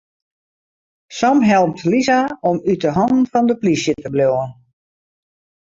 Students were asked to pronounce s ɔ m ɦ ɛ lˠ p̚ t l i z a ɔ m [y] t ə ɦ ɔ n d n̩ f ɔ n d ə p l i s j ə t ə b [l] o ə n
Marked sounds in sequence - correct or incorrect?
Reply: correct, correct

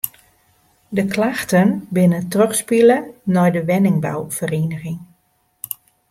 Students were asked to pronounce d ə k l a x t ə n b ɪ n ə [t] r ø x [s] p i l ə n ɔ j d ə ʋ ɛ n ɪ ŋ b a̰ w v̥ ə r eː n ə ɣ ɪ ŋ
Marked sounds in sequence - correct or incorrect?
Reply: correct, correct

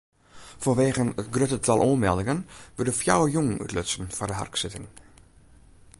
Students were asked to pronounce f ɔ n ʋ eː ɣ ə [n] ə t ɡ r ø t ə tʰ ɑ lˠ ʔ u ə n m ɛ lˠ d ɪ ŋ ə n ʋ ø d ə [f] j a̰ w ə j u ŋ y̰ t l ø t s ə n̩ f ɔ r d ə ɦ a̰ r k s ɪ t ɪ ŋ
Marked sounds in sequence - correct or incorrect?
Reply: correct, correct

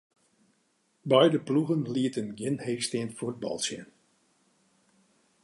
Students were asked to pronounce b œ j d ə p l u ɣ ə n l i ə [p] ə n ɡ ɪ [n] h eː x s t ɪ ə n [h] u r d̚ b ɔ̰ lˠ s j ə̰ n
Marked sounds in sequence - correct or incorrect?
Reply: incorrect, correct, incorrect

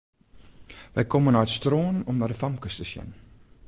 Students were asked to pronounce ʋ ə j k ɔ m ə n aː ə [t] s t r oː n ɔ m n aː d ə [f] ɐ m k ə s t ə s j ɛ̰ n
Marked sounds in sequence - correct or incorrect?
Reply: correct, correct

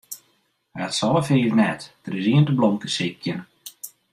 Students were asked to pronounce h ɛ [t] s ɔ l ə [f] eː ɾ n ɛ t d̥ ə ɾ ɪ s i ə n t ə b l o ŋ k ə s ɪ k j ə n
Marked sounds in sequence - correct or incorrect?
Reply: correct, correct

